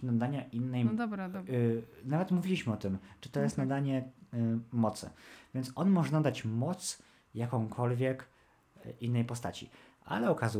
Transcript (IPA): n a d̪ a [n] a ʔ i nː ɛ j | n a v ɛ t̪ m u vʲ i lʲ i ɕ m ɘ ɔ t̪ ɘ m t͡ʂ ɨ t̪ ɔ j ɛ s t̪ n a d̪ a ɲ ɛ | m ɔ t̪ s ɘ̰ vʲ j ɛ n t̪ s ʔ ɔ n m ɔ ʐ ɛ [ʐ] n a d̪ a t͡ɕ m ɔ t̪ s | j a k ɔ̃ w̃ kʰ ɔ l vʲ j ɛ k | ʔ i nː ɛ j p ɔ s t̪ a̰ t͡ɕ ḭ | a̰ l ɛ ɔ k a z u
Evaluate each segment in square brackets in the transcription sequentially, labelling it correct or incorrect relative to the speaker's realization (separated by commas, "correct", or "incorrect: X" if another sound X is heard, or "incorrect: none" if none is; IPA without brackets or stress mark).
incorrect: ɲ, incorrect: none